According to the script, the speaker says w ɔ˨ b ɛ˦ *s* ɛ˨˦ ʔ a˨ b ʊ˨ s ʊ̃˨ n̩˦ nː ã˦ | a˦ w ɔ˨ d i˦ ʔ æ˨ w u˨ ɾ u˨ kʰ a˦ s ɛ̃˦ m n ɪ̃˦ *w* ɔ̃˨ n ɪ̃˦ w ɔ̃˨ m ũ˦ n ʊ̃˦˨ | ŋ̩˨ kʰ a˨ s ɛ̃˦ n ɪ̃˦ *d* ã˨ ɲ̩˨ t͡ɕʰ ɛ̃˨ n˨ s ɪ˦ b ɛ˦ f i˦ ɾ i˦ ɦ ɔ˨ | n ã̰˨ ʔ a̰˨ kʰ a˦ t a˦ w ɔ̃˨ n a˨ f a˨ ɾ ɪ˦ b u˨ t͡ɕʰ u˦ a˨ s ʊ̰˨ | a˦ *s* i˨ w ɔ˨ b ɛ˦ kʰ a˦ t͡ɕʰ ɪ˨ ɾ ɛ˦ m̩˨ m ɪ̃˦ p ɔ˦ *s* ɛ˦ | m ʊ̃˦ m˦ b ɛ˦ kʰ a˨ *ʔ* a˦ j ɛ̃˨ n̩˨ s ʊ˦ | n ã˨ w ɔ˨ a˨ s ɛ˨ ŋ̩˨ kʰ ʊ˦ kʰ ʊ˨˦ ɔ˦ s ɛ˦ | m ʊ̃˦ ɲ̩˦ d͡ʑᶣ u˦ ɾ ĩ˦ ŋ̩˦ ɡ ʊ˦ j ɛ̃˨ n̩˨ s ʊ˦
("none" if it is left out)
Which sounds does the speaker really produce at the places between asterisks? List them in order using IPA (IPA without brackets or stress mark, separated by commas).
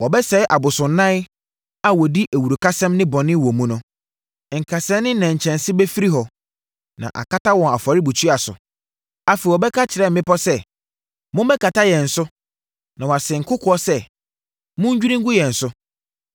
s, b, n, f, s, t